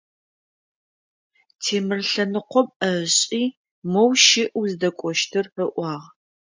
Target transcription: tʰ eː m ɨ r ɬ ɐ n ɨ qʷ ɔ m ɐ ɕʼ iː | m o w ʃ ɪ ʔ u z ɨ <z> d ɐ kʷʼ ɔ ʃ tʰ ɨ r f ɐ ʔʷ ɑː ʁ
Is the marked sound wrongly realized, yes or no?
yes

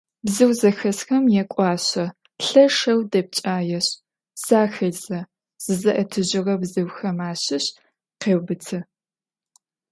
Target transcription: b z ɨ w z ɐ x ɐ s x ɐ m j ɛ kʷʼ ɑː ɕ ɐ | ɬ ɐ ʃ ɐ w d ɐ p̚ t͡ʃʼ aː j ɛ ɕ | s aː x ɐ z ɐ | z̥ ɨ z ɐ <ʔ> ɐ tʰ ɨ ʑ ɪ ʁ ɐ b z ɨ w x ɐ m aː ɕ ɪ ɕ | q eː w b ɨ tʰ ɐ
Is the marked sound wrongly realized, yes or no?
no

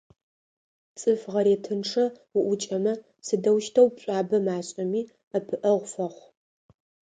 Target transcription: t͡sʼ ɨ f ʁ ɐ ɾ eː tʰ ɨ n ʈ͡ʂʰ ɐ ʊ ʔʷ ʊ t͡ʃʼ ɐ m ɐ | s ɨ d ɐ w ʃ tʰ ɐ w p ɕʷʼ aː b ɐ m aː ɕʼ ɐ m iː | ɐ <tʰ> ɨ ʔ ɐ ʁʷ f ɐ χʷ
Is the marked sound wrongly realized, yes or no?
yes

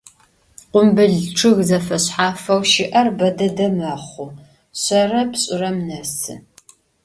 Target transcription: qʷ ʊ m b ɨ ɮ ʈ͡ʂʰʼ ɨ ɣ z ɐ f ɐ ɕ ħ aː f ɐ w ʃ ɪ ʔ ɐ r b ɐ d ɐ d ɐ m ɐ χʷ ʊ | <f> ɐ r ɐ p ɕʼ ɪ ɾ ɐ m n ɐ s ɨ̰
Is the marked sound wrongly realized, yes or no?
yes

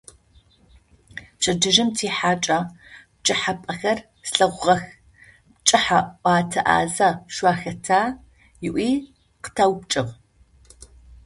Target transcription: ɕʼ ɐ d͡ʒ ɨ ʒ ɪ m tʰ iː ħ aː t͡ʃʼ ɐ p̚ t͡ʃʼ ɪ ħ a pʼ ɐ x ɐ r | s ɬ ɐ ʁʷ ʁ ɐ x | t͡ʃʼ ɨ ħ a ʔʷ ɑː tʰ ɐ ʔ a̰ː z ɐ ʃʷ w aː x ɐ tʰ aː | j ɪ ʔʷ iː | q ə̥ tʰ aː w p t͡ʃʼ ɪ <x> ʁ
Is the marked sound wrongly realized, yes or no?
yes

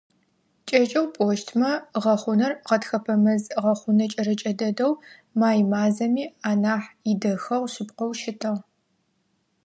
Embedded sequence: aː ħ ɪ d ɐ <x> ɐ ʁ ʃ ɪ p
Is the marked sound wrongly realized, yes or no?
no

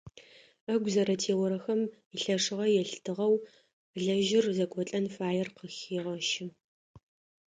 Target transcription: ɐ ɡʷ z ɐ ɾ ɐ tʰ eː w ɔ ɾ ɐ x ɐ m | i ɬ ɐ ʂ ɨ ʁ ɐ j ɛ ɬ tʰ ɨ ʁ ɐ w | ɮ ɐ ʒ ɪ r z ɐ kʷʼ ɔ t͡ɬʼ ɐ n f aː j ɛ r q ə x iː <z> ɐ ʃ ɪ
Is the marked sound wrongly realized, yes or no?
yes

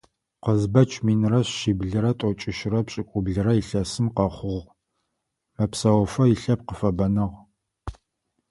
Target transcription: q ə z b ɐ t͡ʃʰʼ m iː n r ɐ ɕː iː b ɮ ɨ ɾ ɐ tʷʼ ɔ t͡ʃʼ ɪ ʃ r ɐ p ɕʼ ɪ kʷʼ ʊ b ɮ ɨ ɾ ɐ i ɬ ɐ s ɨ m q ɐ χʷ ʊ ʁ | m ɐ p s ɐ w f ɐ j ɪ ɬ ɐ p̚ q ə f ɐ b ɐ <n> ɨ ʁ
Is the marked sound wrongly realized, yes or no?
no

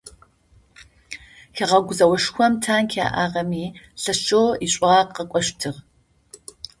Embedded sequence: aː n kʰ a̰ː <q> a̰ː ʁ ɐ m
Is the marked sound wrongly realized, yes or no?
yes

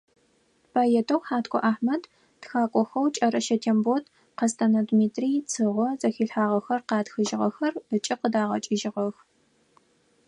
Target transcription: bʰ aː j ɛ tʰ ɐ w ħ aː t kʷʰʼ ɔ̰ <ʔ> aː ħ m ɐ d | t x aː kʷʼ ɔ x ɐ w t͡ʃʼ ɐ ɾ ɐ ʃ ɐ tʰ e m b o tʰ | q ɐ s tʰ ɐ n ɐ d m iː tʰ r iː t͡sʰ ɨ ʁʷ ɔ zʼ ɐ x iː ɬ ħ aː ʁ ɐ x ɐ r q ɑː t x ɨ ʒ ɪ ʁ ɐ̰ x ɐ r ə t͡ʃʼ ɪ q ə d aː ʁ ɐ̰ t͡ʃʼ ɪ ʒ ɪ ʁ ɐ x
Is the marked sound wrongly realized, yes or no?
no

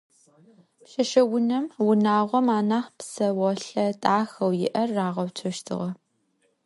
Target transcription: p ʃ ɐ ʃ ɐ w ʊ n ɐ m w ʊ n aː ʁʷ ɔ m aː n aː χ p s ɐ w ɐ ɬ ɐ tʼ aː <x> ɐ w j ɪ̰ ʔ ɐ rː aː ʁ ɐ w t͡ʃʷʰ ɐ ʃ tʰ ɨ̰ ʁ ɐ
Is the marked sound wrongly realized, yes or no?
no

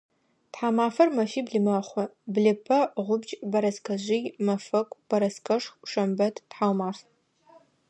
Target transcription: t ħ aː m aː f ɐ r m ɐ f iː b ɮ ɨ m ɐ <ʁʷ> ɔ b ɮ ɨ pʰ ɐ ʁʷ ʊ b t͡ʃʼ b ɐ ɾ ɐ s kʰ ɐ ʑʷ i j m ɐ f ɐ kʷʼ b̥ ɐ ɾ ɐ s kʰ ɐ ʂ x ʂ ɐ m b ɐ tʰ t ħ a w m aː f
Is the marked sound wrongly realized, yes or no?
yes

